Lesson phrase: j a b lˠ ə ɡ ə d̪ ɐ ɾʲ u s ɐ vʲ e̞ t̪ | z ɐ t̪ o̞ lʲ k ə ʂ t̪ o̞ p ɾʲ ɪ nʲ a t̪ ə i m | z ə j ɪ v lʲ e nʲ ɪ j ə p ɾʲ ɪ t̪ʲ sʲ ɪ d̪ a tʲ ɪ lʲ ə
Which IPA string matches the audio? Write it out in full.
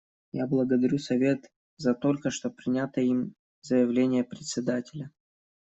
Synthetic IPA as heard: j a b lˠ ə ɡ ə d̪ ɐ ɾʲ u s ɐ vʲ e̞ t̪ | z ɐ t̪ o̞ lʲ k ə ʂ t̪ o̞ p ɾʲ ɪ nʲ a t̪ ə i m | z ə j ɪ v lʲ e nʲ ɪ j ə p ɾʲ ɪ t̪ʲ sʲ ɪ d̪ a tʲ ɪ lʲ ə